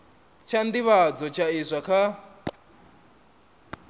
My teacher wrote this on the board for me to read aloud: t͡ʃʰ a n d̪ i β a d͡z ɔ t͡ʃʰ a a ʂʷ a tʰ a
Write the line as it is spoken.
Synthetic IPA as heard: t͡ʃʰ a n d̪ i β a d͡z ɔ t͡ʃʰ a i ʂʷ a kʰ a